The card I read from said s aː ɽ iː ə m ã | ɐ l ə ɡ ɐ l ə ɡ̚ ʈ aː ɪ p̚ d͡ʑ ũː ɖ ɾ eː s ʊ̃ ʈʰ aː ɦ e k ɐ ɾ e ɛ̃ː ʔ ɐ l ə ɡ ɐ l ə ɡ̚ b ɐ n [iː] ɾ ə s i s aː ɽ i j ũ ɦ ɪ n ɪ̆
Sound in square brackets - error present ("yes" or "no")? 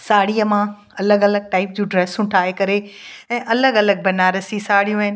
yes